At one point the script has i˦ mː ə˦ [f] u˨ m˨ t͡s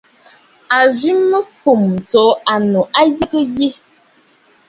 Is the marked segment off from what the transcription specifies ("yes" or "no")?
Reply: no